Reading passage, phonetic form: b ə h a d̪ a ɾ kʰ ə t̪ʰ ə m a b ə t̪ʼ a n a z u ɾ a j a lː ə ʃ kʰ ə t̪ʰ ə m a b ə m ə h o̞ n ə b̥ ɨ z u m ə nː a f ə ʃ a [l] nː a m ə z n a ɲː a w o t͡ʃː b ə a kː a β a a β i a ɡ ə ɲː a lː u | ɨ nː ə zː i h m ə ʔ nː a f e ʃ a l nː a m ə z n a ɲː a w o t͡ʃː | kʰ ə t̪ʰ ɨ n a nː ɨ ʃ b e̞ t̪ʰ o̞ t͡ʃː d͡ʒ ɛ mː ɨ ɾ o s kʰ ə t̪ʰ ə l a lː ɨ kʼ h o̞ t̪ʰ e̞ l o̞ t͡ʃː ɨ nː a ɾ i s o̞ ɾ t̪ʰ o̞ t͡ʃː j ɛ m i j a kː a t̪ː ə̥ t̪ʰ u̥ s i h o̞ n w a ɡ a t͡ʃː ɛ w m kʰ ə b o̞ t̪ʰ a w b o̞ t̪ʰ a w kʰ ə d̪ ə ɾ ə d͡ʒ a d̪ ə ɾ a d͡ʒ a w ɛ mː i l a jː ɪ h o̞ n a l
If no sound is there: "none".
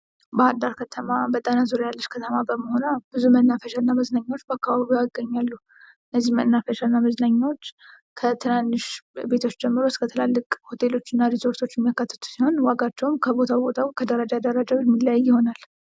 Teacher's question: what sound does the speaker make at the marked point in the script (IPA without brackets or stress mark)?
l